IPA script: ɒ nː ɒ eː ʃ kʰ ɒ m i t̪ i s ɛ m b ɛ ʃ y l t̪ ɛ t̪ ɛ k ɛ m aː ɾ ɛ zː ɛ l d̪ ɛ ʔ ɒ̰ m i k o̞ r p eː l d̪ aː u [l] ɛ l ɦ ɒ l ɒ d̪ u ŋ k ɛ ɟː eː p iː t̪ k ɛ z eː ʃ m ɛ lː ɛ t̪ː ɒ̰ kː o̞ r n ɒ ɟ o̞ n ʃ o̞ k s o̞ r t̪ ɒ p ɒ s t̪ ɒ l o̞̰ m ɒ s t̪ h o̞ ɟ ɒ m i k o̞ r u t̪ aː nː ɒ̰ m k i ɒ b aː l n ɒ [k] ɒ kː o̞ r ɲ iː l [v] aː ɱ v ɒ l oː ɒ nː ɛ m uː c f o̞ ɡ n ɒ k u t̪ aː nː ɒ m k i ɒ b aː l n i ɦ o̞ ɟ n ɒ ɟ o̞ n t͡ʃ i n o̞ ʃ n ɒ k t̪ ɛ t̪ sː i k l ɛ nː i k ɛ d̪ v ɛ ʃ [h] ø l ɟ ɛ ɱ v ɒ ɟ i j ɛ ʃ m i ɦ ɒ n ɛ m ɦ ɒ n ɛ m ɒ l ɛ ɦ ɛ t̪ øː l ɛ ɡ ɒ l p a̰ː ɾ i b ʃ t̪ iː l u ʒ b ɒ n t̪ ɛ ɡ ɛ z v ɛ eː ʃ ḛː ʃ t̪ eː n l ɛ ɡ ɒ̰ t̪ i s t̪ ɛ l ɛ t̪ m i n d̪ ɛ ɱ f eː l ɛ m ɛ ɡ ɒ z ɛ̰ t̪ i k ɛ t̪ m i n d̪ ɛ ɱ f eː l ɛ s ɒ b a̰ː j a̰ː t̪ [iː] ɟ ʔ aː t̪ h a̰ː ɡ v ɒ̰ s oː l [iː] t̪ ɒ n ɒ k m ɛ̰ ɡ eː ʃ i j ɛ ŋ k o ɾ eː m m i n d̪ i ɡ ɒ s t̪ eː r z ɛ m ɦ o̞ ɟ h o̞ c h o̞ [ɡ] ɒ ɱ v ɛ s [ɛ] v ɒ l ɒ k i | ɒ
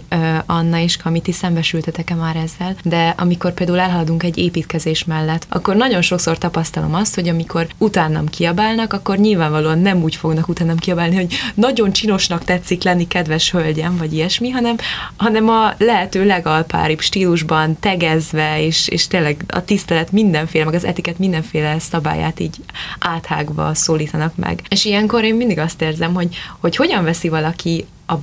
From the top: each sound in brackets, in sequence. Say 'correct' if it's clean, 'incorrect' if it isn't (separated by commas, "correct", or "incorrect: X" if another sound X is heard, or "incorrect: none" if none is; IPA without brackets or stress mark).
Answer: correct, correct, correct, correct, correct, correct, incorrect: ɟ, incorrect: i